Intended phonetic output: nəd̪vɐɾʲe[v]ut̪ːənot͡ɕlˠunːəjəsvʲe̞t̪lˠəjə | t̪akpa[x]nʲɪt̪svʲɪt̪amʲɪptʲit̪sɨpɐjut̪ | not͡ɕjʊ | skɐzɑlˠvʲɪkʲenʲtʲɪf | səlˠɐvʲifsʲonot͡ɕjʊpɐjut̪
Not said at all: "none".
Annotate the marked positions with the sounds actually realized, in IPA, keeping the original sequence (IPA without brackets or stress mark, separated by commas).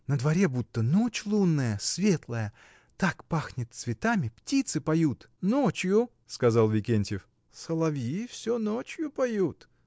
b, x